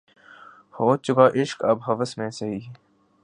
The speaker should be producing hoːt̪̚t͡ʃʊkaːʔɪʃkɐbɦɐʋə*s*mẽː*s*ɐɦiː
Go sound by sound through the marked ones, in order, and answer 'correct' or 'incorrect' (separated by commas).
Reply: correct, correct